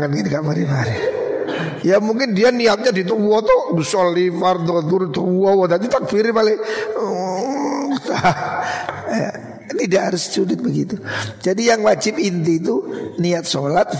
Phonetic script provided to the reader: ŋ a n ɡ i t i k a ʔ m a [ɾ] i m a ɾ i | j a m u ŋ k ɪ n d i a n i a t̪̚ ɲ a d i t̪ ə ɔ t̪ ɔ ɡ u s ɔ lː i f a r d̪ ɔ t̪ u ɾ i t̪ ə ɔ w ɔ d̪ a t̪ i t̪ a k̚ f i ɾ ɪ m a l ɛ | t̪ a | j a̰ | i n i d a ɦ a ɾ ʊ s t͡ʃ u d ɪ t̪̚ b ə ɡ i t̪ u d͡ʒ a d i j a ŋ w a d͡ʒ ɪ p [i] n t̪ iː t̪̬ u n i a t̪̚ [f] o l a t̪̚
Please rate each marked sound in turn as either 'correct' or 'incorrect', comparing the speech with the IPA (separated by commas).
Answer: correct, correct, incorrect